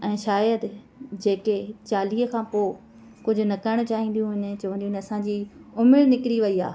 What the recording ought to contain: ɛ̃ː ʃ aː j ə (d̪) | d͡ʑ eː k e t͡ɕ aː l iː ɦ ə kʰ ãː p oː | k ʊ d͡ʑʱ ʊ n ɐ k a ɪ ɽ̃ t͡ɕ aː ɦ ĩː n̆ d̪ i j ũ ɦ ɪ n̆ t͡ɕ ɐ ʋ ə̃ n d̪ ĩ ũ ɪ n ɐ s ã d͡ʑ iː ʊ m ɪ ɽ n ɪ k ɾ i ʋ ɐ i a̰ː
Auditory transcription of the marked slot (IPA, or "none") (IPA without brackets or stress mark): d̪